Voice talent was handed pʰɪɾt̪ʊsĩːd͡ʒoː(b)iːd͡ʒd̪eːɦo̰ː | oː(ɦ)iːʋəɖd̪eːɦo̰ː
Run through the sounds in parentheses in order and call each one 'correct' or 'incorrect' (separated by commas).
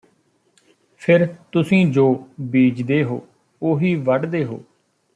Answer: correct, correct